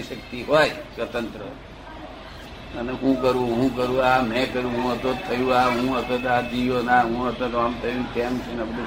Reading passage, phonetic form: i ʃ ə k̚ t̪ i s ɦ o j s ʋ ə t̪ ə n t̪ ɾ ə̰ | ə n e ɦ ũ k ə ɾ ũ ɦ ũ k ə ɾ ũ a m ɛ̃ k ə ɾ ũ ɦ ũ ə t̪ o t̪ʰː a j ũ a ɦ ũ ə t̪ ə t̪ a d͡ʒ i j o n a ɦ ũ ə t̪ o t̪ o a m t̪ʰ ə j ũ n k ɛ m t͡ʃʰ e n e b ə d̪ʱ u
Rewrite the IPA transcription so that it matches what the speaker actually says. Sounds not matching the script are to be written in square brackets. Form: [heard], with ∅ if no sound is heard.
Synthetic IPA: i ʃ ə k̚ t̪ i [∅] ɦ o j s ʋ ə t̪ ə n t̪ ɾ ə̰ | ə n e ɦ ũ k ə ɾ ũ ɦ ũ k ə ɾ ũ a m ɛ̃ k ə ɾ ũ ɦ ũ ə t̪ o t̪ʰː [ə] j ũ a ɦ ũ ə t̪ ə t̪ a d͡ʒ i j o n a ɦ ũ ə t̪ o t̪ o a m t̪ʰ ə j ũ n k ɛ m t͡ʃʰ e n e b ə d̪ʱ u